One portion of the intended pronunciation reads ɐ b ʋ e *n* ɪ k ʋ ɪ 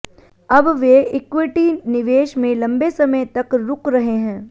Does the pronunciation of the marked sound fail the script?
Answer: yes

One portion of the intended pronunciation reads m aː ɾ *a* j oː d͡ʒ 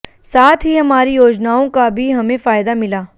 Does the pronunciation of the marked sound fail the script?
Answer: yes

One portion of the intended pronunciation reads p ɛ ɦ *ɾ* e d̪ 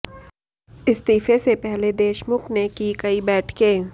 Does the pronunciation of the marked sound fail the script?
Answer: yes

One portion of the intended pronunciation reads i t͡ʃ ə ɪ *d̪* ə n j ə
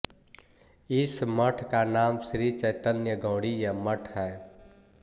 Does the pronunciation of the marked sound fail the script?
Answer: yes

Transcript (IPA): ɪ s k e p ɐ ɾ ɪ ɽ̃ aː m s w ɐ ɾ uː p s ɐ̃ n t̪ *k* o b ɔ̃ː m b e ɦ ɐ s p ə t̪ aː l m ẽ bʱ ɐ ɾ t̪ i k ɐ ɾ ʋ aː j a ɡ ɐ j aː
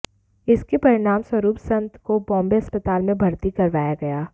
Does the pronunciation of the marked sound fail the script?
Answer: no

